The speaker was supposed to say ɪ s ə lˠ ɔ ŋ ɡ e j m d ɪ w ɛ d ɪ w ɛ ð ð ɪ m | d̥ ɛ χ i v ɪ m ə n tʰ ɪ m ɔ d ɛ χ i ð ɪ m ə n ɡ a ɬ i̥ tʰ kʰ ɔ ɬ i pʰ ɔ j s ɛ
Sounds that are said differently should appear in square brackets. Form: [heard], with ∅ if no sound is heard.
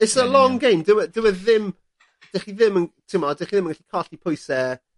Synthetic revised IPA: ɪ s ə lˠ ɔ ŋ ɡ e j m d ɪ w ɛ d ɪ w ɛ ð ð ɪ m | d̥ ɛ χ i [ð] ɪ m ə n tʰ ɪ m ɔ d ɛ χ i ð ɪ m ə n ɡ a ɬ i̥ [∅] kʰ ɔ ɬ i pʰ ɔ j s ɛ